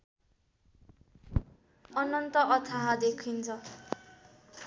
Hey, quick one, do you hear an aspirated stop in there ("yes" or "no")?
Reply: yes